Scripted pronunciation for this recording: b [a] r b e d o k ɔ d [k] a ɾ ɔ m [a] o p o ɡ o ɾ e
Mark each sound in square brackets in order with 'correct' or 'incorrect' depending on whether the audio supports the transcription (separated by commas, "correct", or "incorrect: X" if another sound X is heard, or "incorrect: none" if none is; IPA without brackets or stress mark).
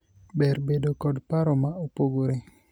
incorrect: ɛ, incorrect: p, correct